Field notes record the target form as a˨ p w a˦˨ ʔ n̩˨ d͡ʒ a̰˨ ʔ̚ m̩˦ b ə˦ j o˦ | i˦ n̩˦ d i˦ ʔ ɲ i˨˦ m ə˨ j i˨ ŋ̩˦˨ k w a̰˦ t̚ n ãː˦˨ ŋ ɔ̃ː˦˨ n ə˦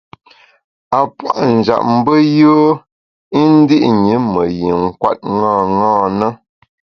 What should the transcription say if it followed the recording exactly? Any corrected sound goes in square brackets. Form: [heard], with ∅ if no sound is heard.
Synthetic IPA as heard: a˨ p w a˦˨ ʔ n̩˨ d͡ʒ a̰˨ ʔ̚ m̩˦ b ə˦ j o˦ | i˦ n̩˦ d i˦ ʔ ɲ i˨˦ m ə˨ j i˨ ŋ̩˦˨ k w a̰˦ t̚ [ŋ] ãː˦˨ ŋ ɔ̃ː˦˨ n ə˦